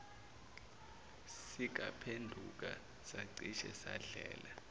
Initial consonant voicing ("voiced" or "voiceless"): voiceless